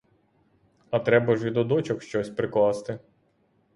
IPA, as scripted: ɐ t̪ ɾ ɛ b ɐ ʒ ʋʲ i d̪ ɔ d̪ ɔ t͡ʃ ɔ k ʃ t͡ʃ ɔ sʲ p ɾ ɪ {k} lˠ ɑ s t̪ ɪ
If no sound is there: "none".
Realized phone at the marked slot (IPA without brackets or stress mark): k